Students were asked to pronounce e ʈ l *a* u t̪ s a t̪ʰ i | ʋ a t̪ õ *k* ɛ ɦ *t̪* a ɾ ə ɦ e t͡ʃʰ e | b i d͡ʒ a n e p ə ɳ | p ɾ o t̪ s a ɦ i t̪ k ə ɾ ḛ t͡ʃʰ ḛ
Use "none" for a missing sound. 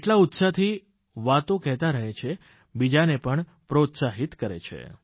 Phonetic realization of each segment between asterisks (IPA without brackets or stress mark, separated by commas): a, k, t̪